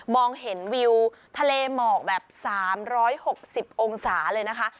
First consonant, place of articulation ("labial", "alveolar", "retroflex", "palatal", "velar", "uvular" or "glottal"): labial